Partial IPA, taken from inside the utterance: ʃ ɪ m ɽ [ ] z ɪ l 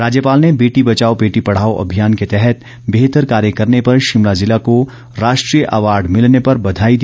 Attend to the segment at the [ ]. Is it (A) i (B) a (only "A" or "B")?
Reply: B